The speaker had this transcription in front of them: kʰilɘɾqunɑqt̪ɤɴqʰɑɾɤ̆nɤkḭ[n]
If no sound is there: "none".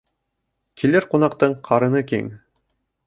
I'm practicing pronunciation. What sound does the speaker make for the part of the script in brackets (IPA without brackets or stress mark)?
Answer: ŋ